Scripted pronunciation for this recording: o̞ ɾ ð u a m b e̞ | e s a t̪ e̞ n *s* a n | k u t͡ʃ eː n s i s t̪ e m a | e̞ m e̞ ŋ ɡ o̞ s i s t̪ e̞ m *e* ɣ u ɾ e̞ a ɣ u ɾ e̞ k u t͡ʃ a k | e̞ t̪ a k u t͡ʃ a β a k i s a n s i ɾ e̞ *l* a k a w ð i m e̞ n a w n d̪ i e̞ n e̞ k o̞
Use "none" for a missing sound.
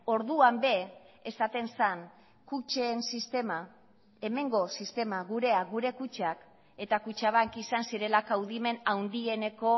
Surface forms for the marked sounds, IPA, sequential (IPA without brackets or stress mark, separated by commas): s, a, l